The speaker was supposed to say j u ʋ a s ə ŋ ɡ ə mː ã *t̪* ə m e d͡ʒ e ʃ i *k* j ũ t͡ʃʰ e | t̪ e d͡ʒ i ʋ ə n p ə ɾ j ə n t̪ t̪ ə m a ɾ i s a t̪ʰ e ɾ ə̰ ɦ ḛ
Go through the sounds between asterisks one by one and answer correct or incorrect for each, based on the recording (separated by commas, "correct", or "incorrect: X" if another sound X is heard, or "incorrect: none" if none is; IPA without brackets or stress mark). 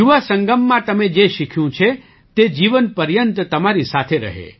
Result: correct, incorrect: kʰ